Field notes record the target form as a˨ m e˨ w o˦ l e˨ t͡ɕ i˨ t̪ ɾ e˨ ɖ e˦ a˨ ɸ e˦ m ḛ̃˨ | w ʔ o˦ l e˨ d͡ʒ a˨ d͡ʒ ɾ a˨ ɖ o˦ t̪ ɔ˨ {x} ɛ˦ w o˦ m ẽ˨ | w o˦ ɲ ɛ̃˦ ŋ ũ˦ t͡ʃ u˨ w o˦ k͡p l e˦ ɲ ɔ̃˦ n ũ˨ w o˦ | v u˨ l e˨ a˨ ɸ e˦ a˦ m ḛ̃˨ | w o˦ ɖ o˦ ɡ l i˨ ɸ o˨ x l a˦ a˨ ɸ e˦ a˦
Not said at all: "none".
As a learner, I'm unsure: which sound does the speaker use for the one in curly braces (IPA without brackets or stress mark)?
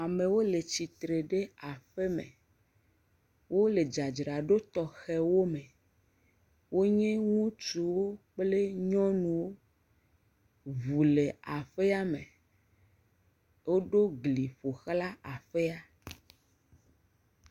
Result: x